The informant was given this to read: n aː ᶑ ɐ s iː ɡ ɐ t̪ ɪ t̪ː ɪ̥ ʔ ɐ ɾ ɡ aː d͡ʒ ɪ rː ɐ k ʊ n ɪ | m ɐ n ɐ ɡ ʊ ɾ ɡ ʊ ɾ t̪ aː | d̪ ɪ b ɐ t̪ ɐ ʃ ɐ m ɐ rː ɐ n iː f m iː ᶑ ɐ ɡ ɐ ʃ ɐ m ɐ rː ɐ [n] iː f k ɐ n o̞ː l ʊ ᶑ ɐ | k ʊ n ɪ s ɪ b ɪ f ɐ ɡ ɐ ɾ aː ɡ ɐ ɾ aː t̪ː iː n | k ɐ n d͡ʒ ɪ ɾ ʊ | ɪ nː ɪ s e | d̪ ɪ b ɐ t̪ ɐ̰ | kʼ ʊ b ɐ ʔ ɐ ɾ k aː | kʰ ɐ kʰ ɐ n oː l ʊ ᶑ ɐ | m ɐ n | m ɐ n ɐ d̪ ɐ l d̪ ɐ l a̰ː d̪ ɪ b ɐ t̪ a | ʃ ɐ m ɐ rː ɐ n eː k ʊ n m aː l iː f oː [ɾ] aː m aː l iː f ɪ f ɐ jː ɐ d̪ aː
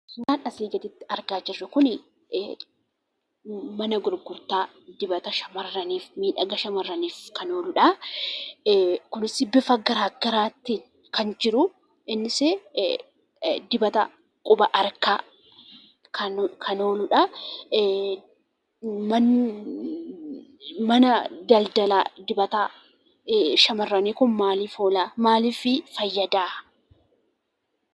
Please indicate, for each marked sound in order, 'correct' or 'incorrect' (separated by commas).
correct, incorrect